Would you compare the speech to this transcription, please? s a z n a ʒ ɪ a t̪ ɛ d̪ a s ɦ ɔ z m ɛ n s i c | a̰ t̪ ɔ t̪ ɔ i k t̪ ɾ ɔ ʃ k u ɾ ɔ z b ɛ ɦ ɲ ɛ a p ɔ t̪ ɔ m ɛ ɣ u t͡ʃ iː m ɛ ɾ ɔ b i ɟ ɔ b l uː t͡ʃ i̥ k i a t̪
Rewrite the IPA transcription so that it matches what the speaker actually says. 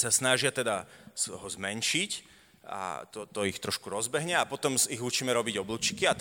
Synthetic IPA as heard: s a s n a ʒ ɪ a t̪ ɛ d̪ a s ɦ ɔ z m ɛ n ʃ i c | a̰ t̪ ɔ t̪ ɔ i x t̪ ɾ ɔ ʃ k u ɾ ɔ z b ɛ ɦ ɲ ɛ a p ɔ t̪ ɔ m i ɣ u t͡ʃ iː m ɛ ɾ ɔ b i ɟ ɔ b l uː t͡ʃ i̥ k i a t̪